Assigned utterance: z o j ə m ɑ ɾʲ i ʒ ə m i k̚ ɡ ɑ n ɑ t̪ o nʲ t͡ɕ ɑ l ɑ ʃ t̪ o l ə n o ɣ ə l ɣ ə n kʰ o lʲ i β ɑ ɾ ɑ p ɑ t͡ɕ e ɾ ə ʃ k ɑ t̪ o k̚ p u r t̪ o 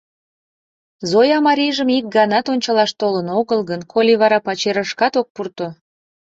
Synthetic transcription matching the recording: z o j ɑ m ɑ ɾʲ i ʒ ə m i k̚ ɡ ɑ n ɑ t̪ o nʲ t͡ɕ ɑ l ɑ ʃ t̪ o l ə n o ɣ ə l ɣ ə n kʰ o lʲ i β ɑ ɾ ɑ p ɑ t͡ɕ e ɾ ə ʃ k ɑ t̪ o k̚ p u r t̪ o